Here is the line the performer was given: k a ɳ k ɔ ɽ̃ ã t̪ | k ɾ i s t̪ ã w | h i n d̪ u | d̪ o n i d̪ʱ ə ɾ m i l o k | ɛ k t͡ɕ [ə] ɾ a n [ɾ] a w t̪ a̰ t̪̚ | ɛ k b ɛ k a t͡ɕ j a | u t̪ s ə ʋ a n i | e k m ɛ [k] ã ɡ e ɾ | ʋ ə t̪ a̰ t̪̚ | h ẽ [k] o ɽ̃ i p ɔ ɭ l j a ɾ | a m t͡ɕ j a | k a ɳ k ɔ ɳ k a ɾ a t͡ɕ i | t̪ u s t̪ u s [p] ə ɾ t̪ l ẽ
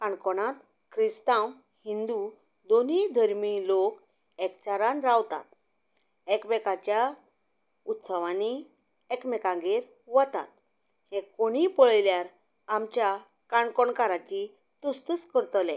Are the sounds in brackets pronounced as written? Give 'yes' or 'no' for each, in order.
no, yes, yes, yes, no

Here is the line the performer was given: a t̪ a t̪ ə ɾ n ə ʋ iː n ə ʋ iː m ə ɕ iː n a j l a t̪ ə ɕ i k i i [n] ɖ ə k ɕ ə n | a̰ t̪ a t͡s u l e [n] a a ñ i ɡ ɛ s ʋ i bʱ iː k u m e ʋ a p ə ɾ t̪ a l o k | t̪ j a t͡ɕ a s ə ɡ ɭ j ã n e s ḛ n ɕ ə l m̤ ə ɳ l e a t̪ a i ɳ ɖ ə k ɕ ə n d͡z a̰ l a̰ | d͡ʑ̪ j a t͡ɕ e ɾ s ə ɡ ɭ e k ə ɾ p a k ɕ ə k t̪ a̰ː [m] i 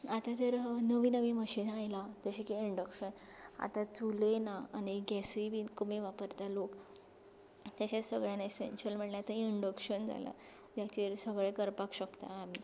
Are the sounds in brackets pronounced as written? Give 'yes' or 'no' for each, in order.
no, yes, yes

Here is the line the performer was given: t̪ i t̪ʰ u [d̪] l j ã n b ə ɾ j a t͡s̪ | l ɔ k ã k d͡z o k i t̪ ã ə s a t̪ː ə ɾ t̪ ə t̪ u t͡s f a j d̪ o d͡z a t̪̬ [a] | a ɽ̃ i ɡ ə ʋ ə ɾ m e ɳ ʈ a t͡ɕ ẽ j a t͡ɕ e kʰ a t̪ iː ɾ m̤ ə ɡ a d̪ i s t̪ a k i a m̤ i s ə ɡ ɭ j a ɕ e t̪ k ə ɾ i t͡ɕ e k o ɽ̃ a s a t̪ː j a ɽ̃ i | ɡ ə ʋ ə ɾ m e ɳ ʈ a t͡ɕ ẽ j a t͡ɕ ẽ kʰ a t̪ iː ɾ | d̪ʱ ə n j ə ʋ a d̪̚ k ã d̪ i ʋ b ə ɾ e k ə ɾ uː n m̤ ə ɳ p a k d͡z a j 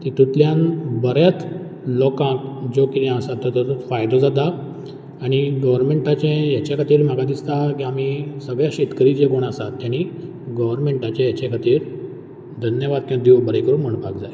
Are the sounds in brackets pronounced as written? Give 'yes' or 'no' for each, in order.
no, yes

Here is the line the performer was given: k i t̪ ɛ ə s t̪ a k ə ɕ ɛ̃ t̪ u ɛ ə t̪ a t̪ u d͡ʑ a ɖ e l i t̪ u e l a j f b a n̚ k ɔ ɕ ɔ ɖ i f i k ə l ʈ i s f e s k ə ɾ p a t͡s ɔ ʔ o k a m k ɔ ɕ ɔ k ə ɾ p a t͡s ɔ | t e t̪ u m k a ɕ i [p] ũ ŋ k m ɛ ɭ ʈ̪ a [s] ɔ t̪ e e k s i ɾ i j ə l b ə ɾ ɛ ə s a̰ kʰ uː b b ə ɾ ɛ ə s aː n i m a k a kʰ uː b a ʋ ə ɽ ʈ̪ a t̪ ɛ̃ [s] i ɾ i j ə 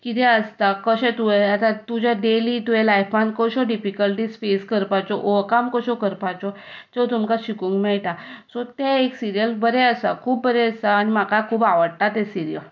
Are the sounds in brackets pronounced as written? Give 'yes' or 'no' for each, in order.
no, yes, yes

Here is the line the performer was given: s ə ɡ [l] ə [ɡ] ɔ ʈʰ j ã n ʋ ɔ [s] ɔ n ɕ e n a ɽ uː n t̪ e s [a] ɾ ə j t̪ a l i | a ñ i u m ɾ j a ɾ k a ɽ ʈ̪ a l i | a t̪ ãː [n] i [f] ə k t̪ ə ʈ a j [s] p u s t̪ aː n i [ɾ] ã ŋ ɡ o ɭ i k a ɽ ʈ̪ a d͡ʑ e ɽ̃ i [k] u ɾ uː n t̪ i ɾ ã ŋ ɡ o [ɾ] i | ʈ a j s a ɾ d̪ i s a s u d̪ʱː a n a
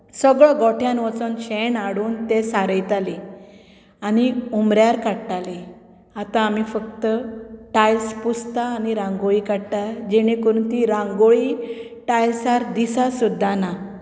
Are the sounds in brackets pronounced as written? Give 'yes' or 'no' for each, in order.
no, yes, no, yes, no, yes, yes, yes, yes, no

